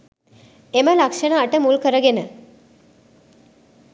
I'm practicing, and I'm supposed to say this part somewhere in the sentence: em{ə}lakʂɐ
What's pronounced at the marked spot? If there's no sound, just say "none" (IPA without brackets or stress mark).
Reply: ə